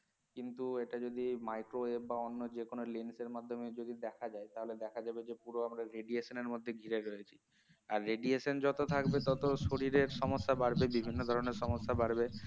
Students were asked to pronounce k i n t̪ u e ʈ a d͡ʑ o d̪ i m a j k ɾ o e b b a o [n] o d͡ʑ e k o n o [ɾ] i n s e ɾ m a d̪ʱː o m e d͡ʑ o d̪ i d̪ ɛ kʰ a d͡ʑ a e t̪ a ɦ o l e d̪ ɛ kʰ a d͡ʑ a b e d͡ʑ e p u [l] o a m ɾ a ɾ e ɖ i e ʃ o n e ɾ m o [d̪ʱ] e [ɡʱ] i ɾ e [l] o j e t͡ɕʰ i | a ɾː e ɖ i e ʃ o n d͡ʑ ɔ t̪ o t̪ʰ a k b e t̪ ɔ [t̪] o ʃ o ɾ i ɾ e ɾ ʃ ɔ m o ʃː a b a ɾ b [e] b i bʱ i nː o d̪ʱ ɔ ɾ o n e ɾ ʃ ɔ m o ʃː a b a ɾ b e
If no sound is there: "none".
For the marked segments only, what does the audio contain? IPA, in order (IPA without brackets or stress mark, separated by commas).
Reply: nː, l, ɾ, d̪ʱː, ɡʱ, ɾ, t̪, e